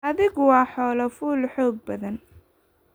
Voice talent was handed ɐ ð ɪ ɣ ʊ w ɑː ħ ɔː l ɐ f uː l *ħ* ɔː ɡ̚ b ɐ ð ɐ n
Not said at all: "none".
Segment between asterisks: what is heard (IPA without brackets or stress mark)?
ħ